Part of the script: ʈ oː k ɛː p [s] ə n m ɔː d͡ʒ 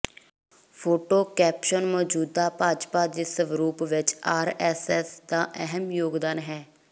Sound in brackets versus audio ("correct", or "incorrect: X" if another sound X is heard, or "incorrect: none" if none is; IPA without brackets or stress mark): incorrect: ʃ